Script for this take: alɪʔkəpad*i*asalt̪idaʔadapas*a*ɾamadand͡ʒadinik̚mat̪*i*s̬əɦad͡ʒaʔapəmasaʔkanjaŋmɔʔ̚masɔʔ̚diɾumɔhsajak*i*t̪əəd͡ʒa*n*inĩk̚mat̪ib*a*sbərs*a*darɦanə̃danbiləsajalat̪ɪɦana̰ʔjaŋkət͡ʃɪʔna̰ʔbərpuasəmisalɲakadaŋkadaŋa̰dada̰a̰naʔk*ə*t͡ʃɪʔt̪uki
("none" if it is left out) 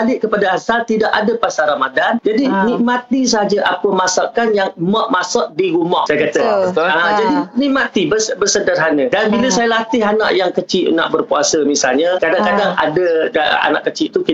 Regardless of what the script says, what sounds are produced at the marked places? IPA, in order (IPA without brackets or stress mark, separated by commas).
a, a, i, a, d, ə, ə, ə